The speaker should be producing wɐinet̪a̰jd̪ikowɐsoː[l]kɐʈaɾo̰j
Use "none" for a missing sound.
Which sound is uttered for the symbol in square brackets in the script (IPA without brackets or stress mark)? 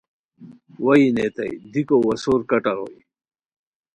ɾ